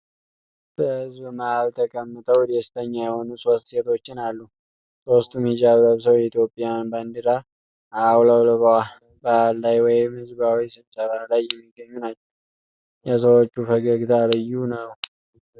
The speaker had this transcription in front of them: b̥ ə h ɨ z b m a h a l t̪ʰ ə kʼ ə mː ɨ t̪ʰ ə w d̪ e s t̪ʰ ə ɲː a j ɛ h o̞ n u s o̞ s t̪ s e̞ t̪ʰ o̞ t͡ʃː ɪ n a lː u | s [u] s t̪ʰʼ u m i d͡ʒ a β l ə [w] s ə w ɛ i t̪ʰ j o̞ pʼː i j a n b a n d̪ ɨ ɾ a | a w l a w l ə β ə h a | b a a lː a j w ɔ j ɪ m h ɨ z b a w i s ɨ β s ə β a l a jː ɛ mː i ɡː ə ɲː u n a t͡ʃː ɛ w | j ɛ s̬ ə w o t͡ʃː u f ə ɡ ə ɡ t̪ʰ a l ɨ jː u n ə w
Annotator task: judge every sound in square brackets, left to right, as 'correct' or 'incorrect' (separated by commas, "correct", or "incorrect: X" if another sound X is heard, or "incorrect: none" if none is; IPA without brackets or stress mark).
incorrect: o, incorrect: β